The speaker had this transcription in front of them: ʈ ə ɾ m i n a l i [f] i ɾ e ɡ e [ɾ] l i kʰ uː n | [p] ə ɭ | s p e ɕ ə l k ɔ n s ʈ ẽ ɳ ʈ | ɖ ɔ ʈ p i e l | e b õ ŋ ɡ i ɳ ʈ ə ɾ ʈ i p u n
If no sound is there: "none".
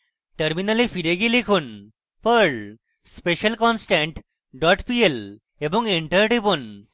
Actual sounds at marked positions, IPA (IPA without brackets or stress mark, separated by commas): f, none, p